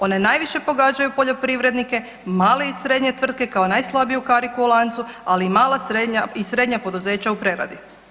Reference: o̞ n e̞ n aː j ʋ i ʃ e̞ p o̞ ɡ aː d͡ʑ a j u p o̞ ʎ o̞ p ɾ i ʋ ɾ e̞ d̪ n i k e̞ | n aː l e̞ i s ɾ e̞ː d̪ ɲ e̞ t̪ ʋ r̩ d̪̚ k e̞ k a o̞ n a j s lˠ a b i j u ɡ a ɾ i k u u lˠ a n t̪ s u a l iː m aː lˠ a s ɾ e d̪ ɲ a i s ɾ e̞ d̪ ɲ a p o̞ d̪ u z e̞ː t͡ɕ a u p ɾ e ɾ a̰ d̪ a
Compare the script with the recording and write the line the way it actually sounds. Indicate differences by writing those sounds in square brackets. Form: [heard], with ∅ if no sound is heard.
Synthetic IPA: o̞ n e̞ n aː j ʋ i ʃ e̞ p o̞ ɡ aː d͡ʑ a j u p o̞ ʎ o̞ p ɾ i ʋ ɾ e̞ d̪ n i k e̞ | [m] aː l e̞ i s ɾ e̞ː d̪ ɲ e̞ t̪ ʋ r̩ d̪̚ k e̞ k a o̞ n a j s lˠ a b i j u [k] a ɾ i k u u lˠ a n t̪ s u a l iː m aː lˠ a s ɾ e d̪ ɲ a i s ɾ e̞ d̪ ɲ a p o̞ d̪ u z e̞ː t͡ɕ a u p ɾ e ɾ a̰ d̪ [i]